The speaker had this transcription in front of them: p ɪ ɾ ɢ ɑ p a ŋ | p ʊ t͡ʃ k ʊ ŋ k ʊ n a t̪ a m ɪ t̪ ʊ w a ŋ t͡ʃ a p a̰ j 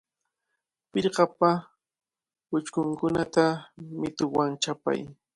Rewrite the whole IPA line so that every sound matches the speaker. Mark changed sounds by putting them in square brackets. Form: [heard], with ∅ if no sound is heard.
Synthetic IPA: p ɪ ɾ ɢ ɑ p a [∅] | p ʊ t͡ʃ k ʊ ŋ k ʊ n a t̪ a m ɪ t̪ ʊ w a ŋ t͡ʃ a p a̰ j